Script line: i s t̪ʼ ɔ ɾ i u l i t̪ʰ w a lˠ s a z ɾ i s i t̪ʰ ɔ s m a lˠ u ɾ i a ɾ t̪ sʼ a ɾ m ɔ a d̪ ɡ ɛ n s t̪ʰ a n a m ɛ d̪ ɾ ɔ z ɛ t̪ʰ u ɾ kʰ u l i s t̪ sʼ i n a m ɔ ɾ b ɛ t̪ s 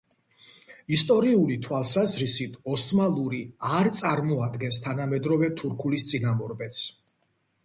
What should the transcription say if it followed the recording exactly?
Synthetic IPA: i s t̪ʼ ɔ ɾ i u l i t̪ʰ w a lˠ s a z ɾ i s i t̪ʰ ɔ s m a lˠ u ɾ i a ɾ t̪ sʼ a ɾ m ɔ a d̪ ɡ ɛ n s t̪ʰ a n a m ɛ d̪ ɾ ɔ v ɛ t̪ʰ u ɾ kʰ u l i s t̪ sʼ i n a m ɔ ɾ b ɛ t̪ s